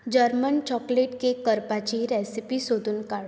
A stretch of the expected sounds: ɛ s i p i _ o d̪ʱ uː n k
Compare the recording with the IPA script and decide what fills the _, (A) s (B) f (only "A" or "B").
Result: A